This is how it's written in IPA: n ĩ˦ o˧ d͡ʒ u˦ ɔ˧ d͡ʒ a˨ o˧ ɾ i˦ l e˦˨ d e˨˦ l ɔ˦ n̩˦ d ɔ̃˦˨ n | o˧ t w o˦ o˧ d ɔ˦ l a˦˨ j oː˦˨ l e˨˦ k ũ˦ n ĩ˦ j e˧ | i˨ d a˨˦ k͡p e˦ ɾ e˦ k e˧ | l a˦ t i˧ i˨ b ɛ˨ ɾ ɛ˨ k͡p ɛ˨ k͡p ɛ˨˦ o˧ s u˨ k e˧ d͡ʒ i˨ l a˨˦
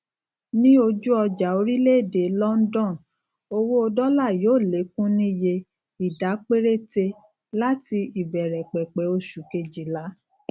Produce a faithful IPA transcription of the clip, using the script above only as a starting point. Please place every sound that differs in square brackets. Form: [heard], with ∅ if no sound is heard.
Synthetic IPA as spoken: n ĩ˦ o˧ d͡ʒ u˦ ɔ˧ d͡ʒ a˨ o˧ ɾ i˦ l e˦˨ d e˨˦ l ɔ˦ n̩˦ d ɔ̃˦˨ n | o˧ [∅] w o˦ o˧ d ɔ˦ l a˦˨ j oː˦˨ l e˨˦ k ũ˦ n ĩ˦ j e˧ | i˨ d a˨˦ k͡p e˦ ɾ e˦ [t] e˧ | l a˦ t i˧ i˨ b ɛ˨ ɾ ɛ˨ k͡p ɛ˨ k͡p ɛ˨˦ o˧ [ʃ] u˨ k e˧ d͡ʒ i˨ l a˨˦